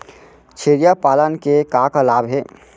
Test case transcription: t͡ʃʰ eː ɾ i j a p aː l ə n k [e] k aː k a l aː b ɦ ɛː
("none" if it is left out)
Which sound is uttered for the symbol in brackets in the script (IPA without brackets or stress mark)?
e